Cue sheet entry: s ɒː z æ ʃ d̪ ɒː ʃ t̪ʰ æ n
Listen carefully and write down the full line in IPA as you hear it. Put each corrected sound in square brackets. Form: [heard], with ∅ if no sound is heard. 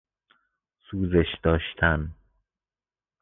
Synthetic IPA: s [uː] z [e] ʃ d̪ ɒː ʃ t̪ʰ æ n